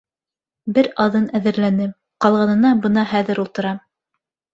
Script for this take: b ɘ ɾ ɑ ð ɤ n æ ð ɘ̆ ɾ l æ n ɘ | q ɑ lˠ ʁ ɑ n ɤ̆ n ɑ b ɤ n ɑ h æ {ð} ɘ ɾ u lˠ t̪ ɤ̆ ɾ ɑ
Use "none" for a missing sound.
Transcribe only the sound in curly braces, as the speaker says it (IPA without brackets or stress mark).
ð